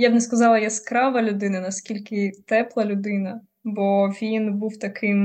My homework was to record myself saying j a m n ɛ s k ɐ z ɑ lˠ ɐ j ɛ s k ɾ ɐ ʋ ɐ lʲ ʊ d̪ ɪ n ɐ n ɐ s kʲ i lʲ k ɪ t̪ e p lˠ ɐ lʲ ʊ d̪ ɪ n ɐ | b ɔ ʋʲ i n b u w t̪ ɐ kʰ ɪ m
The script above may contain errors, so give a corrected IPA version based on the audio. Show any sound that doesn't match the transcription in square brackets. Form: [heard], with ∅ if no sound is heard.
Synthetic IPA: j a [b] n ɛ s k ɐ z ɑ lˠ ɐ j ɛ s k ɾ [ɑ] ʋ ɐ lʲ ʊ d̪ ɪ n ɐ n ɐ s kʲ i lʲ k ɪ t̪ [ɛ] p lˠ ɐ lʲ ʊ d̪ ɪ n ɐ | b ɔ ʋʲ i n b u w t̪ ɐ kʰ ɪ m